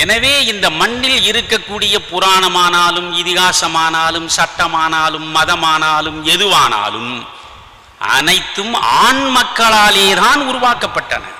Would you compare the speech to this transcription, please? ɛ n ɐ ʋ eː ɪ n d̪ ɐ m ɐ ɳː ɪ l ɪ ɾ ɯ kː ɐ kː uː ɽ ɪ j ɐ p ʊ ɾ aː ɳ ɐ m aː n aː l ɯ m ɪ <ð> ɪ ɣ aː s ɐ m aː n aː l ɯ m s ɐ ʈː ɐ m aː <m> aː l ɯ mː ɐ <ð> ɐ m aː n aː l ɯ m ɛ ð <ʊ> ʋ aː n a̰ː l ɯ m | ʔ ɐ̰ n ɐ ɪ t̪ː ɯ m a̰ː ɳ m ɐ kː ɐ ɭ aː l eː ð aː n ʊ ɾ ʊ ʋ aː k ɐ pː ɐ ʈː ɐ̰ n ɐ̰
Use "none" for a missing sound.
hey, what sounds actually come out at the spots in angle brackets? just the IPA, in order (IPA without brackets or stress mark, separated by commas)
ð, n, ð, ɯ